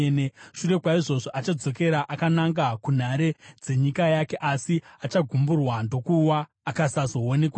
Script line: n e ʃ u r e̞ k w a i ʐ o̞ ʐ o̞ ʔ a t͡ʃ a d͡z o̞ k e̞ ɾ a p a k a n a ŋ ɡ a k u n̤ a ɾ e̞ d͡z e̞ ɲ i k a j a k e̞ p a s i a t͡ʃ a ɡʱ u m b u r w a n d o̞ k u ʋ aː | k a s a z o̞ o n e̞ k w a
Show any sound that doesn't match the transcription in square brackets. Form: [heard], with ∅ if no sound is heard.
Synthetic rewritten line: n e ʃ u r e̞ k w a i ʐ o̞ ʐ o̞ ʔ a t͡ʃ a d͡z o̞ k e̞ ɾ a [ʔ] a k a n a ŋ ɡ a k u n̤ a ɾ e̞ d͡z e̞ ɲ i k a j a k e̞ [ʔ] a s i a t͡ʃ a ɡʱ u m b u r w a n d o̞ k u [w] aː | k a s a z o̞ o n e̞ k w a